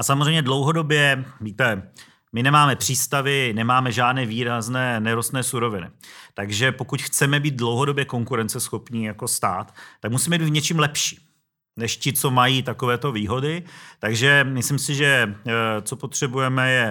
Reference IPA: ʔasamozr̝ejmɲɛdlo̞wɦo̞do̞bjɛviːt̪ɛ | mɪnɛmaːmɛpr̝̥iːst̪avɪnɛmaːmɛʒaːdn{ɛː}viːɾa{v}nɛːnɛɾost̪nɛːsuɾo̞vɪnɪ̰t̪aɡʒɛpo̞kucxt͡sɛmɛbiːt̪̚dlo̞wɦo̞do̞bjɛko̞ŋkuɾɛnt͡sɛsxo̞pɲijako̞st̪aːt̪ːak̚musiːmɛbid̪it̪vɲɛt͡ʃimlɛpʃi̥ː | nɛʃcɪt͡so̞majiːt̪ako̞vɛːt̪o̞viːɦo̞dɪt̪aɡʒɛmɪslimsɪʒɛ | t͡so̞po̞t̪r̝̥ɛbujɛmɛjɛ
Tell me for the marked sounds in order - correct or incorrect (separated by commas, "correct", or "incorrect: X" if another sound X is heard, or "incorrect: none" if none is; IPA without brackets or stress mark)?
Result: correct, incorrect: z